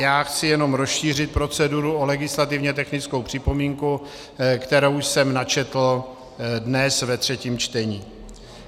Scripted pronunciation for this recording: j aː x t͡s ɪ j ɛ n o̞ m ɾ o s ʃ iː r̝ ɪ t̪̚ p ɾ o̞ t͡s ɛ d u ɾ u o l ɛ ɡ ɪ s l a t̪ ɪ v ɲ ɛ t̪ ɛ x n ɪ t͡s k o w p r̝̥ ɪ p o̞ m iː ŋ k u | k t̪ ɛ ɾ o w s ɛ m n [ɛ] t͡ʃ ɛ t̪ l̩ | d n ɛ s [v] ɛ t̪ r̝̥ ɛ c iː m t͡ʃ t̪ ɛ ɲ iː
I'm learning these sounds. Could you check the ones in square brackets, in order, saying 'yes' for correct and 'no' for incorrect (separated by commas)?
no, yes